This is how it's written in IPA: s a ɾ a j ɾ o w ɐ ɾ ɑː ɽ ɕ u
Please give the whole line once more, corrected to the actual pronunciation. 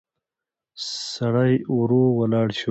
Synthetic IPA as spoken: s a ɽ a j ɾ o w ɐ l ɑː ɽ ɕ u